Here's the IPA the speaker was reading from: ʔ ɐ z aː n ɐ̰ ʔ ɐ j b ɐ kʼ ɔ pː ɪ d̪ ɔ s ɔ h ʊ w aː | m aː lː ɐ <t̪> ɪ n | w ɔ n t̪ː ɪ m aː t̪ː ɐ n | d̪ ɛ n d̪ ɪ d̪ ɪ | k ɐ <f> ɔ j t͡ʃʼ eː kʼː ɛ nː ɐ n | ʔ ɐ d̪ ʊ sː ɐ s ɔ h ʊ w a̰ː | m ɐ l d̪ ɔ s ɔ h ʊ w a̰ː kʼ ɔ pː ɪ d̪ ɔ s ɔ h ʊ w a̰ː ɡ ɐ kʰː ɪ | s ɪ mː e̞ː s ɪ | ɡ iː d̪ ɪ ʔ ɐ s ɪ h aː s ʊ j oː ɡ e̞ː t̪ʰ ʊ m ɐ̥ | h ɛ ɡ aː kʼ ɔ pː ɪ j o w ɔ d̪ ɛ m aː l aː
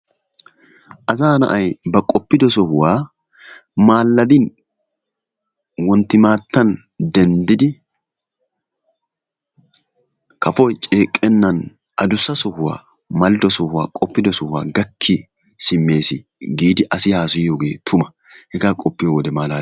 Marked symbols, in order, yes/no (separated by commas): no, yes